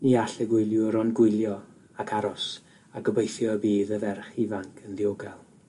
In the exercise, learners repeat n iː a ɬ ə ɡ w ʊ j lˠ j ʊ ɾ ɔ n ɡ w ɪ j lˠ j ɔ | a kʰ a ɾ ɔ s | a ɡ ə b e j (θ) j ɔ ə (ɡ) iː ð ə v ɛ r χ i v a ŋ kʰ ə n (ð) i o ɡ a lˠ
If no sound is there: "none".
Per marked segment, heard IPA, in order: θ, b, ð

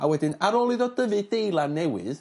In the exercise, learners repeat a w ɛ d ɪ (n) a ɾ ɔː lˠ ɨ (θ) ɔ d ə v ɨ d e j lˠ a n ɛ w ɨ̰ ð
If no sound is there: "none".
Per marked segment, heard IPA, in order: n, ð

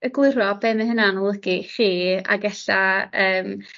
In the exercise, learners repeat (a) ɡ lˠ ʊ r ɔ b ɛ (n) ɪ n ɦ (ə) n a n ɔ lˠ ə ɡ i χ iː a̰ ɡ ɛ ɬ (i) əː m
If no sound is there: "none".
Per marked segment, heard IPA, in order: ə, m, ə, a

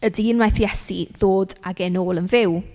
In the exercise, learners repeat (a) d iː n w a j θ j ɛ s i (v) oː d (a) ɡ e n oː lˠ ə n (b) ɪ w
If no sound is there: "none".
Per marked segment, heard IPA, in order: ə, ð, a, v

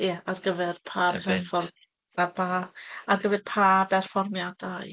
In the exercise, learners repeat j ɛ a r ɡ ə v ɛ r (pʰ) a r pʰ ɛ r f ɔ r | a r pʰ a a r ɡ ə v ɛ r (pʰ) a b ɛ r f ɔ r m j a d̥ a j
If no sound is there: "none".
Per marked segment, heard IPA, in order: pʰ, pʰ

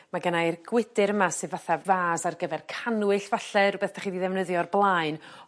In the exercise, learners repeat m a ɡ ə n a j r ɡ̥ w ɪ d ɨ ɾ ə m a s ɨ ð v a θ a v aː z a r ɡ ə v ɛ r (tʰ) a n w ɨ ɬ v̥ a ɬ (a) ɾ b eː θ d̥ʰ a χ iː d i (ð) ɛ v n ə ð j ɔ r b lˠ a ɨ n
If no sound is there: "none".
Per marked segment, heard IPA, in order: kʰ, ɛ, ð

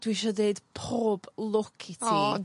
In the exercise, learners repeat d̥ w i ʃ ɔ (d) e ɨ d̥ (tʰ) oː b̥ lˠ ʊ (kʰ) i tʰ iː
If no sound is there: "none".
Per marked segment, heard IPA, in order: d, pʰ, kʰ

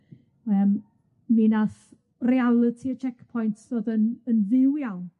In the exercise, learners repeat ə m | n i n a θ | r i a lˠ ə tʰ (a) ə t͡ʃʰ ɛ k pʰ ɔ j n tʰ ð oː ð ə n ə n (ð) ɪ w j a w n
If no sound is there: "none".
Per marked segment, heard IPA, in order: i, ð

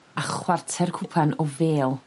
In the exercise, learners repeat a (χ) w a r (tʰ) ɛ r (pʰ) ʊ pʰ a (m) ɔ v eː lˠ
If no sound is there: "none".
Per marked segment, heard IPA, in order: χ, tʰ, kʰ, n

